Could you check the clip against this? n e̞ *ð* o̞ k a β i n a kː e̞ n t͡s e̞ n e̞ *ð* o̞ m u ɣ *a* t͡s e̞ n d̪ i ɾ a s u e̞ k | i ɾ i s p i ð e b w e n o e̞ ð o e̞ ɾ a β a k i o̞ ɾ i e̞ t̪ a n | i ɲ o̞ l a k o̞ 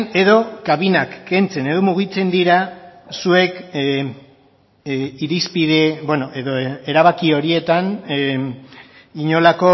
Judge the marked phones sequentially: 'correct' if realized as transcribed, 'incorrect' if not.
correct, correct, incorrect

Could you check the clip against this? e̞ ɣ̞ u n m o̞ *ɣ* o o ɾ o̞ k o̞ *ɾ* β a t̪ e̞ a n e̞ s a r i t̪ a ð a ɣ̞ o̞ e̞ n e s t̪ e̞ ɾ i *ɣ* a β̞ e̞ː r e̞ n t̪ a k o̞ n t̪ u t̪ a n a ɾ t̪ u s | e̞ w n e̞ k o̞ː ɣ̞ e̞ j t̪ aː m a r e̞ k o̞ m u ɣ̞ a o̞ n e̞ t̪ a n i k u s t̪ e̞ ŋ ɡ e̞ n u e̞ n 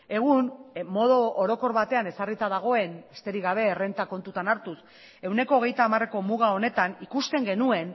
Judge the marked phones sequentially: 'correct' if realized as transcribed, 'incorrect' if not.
incorrect, correct, correct

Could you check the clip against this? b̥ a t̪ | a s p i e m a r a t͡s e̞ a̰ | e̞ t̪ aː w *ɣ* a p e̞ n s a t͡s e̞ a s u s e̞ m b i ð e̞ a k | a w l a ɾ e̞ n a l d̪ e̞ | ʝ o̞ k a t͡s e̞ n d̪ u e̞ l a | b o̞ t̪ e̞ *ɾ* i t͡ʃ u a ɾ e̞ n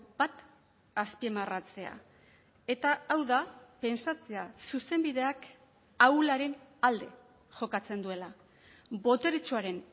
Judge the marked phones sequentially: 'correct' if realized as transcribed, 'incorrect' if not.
incorrect, correct

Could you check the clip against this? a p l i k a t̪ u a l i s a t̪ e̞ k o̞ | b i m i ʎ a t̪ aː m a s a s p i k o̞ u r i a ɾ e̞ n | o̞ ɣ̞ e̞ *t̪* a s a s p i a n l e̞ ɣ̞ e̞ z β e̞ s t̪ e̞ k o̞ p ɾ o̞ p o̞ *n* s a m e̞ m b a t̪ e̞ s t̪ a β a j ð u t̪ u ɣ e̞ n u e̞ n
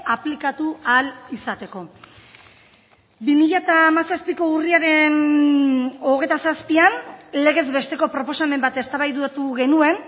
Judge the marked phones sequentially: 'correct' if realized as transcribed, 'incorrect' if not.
correct, incorrect

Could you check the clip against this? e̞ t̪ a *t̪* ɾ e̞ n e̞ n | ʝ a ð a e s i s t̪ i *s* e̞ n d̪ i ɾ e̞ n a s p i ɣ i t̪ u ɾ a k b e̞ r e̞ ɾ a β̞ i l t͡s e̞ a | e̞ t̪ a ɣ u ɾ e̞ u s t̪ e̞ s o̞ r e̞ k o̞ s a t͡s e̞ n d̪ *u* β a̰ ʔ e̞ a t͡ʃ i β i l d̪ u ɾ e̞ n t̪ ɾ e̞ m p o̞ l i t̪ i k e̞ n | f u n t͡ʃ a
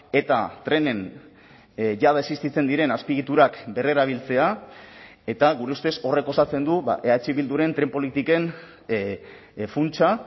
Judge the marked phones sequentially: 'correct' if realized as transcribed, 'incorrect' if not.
correct, incorrect, correct

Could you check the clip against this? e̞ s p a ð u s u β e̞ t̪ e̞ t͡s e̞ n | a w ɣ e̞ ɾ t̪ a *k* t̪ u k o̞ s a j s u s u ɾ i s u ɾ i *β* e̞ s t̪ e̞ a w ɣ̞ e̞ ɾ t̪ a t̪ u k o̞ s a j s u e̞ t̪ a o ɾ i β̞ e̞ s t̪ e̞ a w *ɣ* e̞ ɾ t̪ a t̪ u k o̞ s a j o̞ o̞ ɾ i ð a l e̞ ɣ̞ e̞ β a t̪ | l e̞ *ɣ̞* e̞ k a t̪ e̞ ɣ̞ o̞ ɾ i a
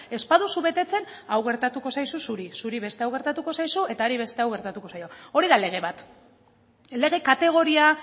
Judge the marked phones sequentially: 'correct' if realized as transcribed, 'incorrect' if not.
incorrect, correct, correct, correct

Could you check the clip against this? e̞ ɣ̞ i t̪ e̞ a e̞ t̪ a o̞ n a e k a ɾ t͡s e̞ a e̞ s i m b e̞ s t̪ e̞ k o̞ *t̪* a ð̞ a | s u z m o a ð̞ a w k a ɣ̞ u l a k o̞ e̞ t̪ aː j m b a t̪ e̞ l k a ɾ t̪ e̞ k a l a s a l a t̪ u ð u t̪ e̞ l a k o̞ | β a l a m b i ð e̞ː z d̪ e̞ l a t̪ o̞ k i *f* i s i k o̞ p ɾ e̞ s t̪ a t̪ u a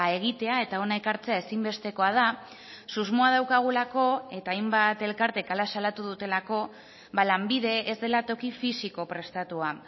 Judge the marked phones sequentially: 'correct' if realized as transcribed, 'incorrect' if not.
incorrect, correct

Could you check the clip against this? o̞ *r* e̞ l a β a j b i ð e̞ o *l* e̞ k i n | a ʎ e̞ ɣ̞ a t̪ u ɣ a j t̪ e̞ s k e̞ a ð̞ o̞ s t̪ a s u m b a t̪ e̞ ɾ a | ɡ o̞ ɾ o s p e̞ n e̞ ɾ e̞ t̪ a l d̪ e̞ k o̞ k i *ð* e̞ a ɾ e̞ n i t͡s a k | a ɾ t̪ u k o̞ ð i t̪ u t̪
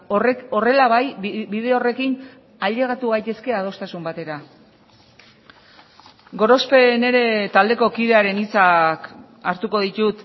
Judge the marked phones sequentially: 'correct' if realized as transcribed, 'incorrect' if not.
correct, incorrect, correct

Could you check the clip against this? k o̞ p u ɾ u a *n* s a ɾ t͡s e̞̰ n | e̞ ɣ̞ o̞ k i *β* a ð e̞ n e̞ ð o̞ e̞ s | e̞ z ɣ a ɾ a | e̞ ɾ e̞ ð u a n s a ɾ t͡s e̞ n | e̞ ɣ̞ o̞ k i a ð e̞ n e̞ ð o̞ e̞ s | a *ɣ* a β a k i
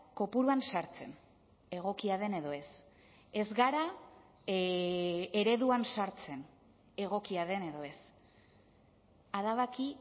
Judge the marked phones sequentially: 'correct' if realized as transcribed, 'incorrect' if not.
correct, incorrect, incorrect

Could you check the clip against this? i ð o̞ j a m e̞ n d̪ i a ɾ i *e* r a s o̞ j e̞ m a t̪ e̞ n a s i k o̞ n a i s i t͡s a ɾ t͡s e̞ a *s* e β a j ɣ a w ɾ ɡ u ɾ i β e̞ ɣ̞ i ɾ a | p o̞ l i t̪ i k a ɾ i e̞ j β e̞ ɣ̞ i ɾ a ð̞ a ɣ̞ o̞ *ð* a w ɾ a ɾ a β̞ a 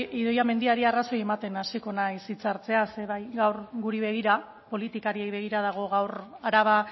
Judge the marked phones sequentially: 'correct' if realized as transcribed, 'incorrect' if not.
incorrect, correct, incorrect

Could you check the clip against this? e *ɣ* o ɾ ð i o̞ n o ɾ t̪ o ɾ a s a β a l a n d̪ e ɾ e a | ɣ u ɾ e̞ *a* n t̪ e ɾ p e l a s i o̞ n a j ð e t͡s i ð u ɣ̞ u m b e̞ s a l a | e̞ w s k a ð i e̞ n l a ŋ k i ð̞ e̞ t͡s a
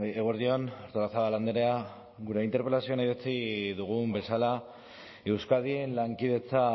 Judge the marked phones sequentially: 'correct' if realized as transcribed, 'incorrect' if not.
correct, incorrect

